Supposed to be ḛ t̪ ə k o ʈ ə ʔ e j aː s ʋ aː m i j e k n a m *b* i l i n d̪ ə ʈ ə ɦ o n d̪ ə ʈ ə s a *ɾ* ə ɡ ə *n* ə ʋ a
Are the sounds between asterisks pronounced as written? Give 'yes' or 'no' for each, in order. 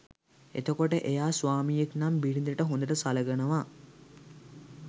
yes, no, yes

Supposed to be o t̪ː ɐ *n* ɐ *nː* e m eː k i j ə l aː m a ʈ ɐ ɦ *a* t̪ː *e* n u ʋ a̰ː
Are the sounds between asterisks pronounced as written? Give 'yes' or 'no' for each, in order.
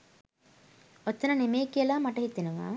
yes, no, no, yes

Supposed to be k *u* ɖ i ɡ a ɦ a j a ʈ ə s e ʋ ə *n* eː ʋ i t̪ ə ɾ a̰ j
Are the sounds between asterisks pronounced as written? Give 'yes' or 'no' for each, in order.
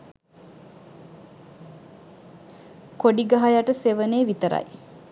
no, yes

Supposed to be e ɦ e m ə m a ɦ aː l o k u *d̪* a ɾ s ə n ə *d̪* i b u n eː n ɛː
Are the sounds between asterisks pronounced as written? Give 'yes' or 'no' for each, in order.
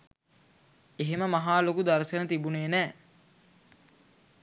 yes, no

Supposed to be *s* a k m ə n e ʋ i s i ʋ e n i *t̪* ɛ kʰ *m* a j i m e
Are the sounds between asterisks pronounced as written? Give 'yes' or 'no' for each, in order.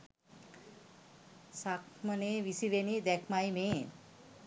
yes, no, yes

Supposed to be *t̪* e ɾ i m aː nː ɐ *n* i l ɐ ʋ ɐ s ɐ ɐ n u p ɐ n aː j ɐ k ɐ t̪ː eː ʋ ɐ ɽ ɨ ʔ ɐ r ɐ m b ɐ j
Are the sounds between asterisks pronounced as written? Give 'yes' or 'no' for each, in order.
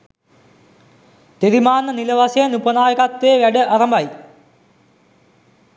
yes, yes

